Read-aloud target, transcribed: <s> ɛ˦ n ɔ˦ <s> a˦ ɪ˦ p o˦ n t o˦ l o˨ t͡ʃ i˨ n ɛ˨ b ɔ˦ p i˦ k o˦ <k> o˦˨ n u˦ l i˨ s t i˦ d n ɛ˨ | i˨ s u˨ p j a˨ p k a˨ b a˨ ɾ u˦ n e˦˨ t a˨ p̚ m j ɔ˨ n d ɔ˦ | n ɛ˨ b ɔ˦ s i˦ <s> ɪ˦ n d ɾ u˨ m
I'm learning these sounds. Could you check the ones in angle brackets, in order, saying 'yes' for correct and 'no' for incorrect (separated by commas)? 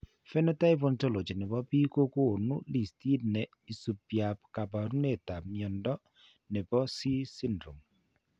no, no, yes, yes